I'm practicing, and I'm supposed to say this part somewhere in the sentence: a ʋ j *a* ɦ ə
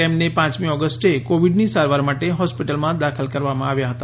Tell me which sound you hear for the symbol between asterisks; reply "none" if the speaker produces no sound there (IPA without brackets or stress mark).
a